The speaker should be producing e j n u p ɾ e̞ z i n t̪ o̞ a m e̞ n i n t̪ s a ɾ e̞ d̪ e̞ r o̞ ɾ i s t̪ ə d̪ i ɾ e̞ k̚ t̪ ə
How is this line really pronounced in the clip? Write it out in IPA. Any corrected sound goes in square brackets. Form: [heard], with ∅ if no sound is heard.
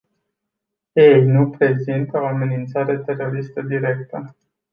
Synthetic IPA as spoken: e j n u p ɾ e̞ z i n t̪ o̞ a m e̞ n i n t̪ s a ɾ e̞ [t̪] e̞ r o̞ ɾ i s t̪ ə d̪ i ɾ e̞ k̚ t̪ ə